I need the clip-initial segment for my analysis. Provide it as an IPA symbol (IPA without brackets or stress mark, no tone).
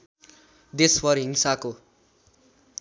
d̪